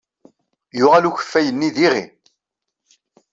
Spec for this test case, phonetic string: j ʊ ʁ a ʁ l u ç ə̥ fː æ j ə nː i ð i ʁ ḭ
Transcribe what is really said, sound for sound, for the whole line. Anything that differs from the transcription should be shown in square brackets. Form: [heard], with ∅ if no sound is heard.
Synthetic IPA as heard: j ʊ ʁ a [∅] l u ç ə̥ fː æ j ə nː i ð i ʁ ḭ